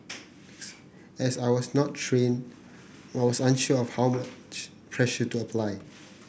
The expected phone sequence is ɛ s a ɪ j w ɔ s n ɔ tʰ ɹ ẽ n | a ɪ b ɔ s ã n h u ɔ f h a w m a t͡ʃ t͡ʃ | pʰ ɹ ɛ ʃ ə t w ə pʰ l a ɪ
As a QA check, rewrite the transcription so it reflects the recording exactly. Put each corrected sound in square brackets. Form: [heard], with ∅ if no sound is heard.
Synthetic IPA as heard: ɛ s a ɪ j w ɔ s n ɔ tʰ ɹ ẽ n | a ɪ [w] ɔ s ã n [ʃ] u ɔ f h a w m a t͡ʃ t͡ʃ | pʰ ɹ ɛ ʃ ə t [u] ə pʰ l a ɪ